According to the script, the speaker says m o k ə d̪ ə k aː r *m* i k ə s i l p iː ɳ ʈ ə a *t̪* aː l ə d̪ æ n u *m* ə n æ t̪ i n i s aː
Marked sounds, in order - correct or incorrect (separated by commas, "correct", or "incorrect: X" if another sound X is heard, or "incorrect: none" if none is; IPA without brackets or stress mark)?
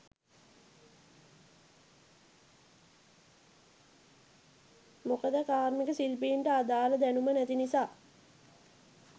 correct, incorrect: d̪, correct